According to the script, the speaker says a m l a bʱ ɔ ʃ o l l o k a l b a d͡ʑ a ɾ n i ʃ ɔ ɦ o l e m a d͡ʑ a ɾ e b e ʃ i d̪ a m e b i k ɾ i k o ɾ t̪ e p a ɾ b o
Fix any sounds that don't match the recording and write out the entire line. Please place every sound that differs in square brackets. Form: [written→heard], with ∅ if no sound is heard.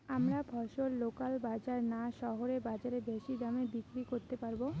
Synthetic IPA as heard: a m [l→ɾ] a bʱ ɔ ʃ o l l o k a l b a d͡ʑ a ɾ n [i→a] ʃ ɔ ɦ o [l→ɾ] e [m→b] a d͡ʑ a ɾ e b e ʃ i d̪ a m e b i k ɾ i k o ɾ t̪ e p a ɾ b o